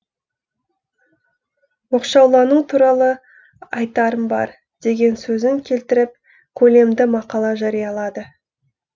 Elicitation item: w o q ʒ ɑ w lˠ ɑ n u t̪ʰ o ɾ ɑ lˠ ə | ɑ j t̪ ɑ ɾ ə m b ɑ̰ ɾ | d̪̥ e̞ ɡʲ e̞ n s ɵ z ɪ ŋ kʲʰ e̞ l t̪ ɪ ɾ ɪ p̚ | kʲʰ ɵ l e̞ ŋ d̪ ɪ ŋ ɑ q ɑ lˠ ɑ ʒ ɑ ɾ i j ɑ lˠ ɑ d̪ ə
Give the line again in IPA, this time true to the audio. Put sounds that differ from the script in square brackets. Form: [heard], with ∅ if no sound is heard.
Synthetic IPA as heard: w o q [ʃ] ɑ w lˠ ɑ n u t̪ʰ [u] ɾ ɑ lˠ ə | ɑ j t̪ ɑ ɾ ə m b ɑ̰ ɾ | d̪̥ e̞ ɡʲ e̞ n s ɵ z ɪ ŋ kʲʰ e̞ l t̪ ɪ ɾ ɪ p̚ | kʲʰ ɵ l e̞ [m] d̪ ɪ [m] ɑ q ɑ lˠ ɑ ʒ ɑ ɾ i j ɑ lˠ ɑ d̪ ə